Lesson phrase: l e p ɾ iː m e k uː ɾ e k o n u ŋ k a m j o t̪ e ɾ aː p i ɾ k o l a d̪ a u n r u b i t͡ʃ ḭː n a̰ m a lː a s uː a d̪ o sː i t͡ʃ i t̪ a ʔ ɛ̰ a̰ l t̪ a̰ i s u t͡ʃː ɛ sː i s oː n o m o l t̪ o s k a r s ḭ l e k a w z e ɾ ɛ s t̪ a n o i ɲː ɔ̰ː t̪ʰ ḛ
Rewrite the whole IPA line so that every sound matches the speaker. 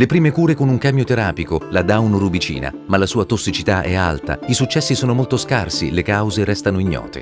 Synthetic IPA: l e p ɾ iː m e k uː ɾ e k o n u ŋ k a m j o t̪ e ɾ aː p i k o l a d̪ a u n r u b i t͡ʃ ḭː n a̰ m a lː a s uː a t̪ o sː i t͡ʃ i t̪ a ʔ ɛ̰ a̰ l t̪ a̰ i s u t͡ʃː ɛ sː i s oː n o m o l t̪ o s k a r s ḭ l e k a w z e ɾ ɛ s t̪ a n o i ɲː ɔ̰ː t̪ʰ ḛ